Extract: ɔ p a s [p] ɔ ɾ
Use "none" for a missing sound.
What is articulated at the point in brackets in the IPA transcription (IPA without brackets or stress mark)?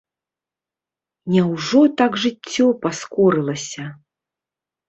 k